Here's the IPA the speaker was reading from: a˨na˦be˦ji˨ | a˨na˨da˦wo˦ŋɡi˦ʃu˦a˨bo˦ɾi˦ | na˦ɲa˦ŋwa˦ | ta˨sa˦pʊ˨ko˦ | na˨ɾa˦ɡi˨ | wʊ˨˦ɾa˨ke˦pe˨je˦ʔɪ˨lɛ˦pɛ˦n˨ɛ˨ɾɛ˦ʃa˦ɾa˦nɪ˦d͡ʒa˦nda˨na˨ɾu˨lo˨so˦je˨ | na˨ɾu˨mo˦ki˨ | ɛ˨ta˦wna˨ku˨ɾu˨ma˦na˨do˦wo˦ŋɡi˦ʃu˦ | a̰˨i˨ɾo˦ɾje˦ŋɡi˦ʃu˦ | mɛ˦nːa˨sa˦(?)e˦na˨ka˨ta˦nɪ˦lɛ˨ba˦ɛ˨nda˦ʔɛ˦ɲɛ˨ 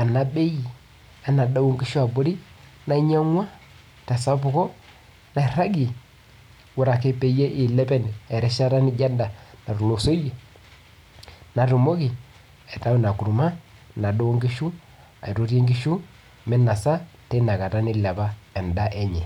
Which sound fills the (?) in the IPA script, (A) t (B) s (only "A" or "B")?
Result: A